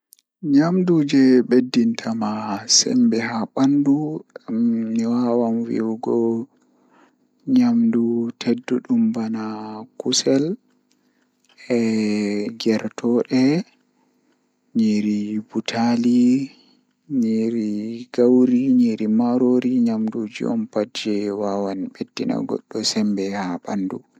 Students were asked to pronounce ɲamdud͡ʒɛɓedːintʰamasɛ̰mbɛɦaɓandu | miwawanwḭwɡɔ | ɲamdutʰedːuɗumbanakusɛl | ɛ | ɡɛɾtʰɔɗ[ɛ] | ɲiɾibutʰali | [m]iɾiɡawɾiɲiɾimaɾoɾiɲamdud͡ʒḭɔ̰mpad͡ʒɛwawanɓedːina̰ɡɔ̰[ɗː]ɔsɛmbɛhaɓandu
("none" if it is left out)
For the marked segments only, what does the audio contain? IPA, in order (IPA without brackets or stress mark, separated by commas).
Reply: ɛ, ɲ, ɗː